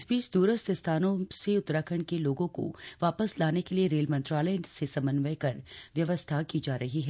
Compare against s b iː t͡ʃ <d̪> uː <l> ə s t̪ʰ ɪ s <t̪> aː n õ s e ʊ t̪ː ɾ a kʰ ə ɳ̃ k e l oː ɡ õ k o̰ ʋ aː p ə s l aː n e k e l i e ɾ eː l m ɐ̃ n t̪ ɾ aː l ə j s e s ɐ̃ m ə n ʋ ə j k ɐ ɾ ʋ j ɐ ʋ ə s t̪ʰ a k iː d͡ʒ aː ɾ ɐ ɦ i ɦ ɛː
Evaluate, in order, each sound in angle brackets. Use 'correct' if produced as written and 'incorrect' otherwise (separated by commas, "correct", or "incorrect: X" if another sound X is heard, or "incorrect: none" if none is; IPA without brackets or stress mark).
correct, incorrect: ɾ, incorrect: t̪ʰ